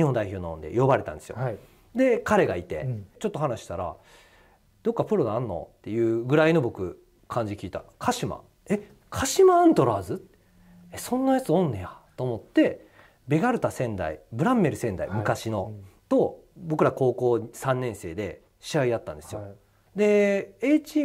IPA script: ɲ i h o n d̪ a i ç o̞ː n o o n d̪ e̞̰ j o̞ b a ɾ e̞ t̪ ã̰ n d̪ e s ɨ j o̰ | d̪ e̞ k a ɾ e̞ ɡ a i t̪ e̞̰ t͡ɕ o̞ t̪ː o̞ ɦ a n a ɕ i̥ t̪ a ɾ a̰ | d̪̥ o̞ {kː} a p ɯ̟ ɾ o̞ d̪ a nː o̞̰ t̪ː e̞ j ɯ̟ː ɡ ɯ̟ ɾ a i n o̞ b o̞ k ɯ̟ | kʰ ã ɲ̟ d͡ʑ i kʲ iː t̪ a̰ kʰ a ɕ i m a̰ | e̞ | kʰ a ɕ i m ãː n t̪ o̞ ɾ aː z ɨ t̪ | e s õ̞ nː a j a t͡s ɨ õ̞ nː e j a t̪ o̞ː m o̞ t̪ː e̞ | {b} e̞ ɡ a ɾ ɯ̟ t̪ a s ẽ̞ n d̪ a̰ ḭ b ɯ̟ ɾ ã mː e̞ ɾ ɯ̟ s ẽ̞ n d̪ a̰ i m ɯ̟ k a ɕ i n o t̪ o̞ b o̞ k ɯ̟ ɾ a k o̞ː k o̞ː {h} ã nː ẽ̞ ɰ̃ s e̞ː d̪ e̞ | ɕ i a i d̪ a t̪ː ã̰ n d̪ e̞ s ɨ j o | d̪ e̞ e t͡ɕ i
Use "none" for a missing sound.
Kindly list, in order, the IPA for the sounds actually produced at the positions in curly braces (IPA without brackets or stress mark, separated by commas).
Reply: kː, b, s